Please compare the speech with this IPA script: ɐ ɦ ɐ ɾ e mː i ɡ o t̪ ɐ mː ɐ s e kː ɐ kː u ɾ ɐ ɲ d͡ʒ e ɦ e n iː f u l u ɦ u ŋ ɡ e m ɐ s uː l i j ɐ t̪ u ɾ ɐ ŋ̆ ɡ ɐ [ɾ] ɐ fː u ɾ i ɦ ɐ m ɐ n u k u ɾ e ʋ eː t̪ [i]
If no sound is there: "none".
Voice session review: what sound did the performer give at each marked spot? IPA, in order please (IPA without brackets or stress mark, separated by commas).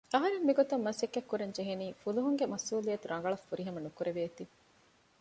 ɭ, i